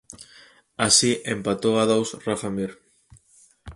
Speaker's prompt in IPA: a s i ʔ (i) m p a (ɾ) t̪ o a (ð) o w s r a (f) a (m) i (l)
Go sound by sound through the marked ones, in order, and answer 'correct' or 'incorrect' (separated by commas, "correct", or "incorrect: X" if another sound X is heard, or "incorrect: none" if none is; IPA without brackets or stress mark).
incorrect: e, incorrect: none, correct, correct, correct, incorrect: ɾ